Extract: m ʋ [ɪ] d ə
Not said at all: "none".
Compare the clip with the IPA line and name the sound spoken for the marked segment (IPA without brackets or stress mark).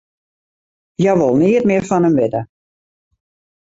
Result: ɪ